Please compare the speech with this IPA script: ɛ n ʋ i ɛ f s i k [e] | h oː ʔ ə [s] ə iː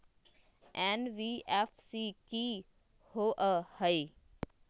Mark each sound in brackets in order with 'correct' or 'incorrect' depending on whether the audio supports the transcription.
incorrect: i, incorrect: h

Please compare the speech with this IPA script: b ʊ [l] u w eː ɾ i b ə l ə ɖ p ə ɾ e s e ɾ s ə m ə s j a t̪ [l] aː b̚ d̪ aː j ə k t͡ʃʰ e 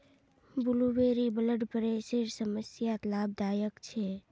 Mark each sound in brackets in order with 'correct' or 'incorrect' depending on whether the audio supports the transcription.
correct, correct

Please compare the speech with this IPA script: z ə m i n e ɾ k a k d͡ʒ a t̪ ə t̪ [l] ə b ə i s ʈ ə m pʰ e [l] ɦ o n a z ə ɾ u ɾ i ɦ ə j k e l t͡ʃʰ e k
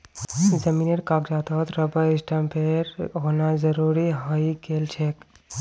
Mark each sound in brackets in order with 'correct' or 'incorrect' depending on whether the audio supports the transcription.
incorrect: ɾ, incorrect: ɾ

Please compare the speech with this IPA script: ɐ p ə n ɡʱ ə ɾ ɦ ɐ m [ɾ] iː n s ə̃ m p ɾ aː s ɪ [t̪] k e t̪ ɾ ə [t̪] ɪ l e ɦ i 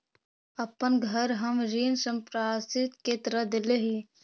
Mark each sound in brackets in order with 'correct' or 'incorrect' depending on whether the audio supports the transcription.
correct, correct, incorrect: d̪

